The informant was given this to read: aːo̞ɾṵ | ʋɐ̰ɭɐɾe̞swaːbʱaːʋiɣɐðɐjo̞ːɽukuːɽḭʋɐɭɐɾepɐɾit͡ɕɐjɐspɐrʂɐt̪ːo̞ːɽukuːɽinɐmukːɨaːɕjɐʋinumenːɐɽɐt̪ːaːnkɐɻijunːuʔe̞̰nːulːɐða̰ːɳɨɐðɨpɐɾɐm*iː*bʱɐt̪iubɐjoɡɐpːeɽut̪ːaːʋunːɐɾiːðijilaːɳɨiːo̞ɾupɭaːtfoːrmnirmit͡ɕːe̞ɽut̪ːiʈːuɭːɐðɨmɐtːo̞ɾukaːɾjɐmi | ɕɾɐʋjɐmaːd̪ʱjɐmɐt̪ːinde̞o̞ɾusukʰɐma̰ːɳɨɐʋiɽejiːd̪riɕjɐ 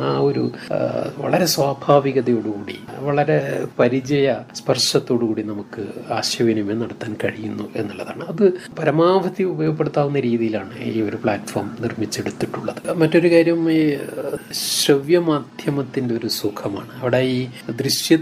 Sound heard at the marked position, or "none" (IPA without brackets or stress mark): aː